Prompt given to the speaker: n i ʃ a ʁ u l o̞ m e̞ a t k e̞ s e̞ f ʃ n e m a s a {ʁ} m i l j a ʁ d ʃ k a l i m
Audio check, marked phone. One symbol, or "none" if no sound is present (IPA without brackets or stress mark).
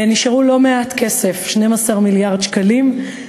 ʁ